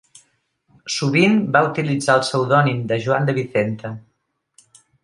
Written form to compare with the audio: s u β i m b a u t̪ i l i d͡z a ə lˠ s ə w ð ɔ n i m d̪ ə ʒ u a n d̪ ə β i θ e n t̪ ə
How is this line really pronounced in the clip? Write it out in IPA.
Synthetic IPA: s u β i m b a u t̪ i l i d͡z a ə lˠ s ə w ð ɔ n i m d̪ ə ʒ u a n d̪ ə β i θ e n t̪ ə